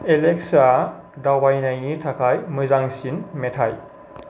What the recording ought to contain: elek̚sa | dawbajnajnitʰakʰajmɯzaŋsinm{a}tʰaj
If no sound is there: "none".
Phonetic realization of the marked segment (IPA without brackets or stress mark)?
e